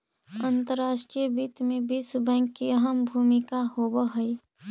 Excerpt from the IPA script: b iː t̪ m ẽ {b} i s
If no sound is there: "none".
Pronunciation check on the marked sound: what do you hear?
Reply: b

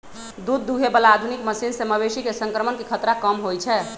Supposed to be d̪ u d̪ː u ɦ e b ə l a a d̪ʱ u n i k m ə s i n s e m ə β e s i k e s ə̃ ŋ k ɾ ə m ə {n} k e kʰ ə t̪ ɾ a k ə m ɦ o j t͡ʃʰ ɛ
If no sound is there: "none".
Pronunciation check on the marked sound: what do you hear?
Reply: n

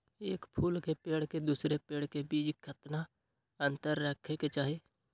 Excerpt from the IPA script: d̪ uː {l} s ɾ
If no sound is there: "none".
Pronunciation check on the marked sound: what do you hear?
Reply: none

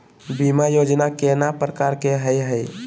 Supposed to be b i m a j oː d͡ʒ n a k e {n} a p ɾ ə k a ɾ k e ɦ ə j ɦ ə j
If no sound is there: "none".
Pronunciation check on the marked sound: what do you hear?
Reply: n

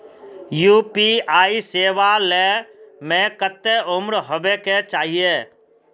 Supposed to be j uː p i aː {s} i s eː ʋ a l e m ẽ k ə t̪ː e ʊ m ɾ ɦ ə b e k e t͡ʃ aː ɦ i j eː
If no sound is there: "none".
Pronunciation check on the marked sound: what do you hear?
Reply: none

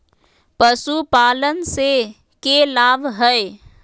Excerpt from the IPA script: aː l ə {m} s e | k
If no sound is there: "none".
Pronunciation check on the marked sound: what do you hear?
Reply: n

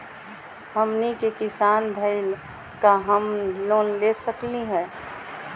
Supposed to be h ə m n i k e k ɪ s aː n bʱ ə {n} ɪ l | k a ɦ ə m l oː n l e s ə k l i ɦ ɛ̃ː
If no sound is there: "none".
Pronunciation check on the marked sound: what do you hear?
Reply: none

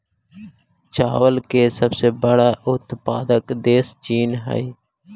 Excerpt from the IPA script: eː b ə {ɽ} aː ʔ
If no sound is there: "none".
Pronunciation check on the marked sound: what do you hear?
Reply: ɽ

